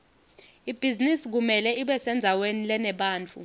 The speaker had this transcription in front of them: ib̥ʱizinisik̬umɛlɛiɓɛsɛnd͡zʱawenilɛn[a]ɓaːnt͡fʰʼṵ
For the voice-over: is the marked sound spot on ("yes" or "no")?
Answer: no